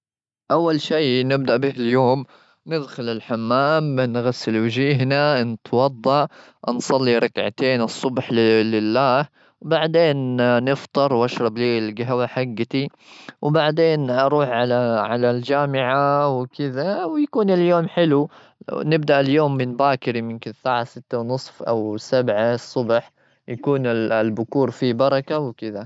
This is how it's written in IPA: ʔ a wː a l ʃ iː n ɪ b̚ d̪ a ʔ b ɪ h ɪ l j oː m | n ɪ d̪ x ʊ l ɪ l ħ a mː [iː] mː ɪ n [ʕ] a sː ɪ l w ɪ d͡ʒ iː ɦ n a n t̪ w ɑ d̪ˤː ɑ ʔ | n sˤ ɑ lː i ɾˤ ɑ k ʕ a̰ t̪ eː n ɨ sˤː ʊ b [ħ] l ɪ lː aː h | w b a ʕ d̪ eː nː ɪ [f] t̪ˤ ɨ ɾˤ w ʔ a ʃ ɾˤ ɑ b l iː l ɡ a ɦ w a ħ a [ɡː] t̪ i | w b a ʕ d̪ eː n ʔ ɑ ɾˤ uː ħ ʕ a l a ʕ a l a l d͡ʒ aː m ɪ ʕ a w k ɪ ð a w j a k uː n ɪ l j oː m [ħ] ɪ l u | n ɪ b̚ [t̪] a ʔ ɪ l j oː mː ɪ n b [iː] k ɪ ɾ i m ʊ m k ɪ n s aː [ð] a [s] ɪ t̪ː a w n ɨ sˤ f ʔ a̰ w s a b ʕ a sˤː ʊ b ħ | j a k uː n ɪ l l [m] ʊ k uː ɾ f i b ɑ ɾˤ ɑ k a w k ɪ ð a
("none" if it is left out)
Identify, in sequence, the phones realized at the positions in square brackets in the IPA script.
aː, ɣ, ħ, f, ɡː, ħ, d̪, aː, ʕ, s, b

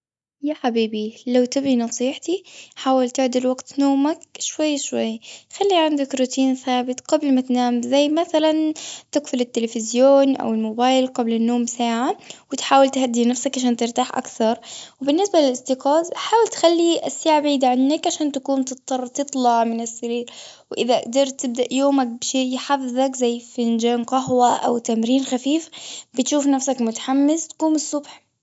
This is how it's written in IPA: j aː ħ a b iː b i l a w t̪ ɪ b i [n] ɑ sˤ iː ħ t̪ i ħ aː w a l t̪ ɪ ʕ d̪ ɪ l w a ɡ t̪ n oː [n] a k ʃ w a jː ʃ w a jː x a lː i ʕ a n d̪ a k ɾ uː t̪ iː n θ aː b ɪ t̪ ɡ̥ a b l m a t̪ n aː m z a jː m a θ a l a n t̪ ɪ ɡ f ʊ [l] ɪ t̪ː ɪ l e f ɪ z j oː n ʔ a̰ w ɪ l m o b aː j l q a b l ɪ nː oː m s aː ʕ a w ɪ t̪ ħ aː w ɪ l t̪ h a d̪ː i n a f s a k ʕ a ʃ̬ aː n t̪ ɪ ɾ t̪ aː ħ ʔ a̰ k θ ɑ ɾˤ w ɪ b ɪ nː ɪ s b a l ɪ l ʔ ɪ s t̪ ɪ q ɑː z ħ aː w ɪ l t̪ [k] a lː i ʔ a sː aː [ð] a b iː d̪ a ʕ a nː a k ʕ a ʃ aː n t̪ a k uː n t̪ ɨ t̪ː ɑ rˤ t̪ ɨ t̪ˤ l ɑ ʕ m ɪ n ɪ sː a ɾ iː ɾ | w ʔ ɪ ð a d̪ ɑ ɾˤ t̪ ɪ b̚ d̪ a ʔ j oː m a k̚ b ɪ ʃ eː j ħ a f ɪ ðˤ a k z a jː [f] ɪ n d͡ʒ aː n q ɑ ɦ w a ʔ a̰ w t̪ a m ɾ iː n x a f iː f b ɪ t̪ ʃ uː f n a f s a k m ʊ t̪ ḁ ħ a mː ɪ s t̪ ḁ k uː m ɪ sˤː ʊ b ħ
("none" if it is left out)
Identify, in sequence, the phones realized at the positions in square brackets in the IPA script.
n, m, l, x, ʕ, f

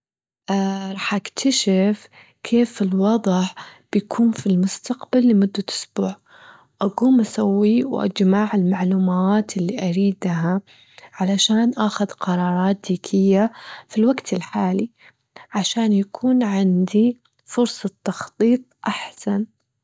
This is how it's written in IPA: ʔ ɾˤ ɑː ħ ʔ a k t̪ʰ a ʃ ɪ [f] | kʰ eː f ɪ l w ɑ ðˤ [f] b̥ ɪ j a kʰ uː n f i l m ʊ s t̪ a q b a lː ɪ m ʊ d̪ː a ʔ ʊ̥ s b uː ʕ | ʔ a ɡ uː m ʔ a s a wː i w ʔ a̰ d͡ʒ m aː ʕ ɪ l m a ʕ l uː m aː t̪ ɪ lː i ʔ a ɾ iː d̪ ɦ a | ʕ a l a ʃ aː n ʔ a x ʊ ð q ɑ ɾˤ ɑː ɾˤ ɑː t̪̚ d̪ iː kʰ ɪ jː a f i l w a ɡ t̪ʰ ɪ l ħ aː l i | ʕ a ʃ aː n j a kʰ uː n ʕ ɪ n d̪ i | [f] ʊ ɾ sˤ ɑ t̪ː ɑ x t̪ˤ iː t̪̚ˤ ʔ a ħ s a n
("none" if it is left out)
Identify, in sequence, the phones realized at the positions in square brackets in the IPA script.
f, ħ, f

